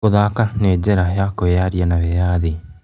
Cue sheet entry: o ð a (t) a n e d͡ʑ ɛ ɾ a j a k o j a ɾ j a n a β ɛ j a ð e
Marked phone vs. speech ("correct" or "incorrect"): incorrect